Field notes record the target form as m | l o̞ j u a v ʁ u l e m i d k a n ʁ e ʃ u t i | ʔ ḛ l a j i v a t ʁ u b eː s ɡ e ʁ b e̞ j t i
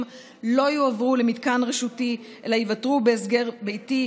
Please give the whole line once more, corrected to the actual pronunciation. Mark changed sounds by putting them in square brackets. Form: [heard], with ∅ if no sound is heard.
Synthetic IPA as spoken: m | l o̞ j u a v ʁ u l e m i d k a n ʁ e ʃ u t i | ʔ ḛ l a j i v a t ʁ u b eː s ɡ e ʁ b e̞ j t i